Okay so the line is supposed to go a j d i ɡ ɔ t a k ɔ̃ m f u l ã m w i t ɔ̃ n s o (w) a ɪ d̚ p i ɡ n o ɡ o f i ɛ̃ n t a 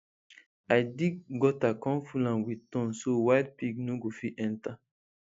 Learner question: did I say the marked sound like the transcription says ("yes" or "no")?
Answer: yes